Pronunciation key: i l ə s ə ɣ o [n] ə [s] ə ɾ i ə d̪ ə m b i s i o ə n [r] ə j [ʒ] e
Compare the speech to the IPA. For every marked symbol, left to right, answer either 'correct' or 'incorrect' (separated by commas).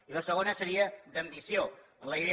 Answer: correct, correct, incorrect, incorrect